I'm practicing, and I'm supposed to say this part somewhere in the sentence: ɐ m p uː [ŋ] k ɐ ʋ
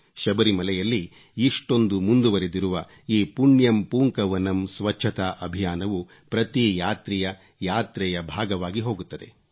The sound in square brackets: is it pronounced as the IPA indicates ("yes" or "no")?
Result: yes